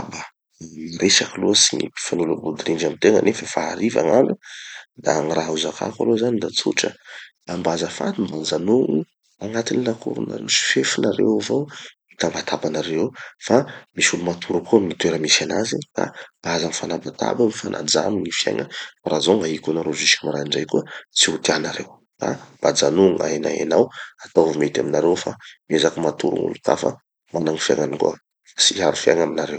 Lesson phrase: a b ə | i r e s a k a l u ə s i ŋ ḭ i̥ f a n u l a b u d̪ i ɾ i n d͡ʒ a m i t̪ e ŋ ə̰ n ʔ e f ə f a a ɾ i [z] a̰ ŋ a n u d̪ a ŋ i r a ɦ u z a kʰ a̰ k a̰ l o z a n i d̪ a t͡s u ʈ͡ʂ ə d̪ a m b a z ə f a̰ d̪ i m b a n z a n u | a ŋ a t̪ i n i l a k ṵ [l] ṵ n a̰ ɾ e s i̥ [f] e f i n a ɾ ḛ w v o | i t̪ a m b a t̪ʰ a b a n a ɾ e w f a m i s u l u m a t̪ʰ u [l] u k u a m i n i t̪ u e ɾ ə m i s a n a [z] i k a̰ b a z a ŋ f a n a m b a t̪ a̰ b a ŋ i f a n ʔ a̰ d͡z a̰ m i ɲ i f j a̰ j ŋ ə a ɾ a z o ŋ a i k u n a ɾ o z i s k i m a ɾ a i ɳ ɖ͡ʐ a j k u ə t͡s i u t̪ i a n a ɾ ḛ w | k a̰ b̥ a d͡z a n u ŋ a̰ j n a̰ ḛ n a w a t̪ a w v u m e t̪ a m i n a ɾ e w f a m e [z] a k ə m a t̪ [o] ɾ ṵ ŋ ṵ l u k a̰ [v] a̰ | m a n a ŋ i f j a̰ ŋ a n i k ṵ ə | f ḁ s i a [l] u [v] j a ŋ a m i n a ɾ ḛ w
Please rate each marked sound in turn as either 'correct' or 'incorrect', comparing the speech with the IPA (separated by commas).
incorrect, incorrect, correct, incorrect, correct, correct, incorrect, incorrect, incorrect, incorrect